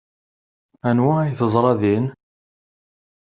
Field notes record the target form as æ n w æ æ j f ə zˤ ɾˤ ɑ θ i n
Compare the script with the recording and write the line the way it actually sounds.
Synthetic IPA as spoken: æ n w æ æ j θ ə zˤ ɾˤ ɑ ð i n

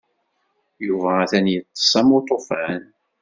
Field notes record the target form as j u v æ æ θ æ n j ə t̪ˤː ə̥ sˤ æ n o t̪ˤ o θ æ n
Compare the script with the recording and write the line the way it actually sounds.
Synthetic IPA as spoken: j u v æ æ θ æ n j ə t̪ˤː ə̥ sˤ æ m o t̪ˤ o f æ n

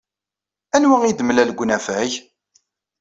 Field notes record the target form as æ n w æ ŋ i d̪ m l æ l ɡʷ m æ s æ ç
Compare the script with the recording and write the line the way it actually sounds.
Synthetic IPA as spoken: æ n w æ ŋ i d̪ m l æ l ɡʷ n æ f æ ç

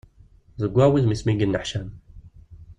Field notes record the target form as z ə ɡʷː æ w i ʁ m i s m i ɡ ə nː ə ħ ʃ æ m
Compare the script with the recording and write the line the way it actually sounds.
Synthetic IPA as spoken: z ə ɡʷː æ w i ð m i s m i ɡ ə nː ə ħ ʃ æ m

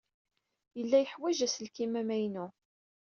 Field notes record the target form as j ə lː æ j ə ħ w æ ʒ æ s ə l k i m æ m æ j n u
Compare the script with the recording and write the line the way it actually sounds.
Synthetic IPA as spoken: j ə lː æ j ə ħ w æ ʒ æ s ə l k i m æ m æ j n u

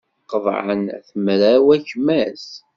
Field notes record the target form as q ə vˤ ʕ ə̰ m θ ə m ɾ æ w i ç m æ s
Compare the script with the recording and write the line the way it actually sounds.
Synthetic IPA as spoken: q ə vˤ ʕ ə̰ n θ ə m ɾ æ w æ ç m æ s

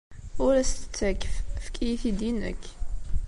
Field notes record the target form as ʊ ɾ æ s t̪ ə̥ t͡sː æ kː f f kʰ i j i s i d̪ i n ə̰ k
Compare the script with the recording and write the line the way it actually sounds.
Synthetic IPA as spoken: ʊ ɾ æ s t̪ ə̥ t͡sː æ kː f f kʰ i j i θ i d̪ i n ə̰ k

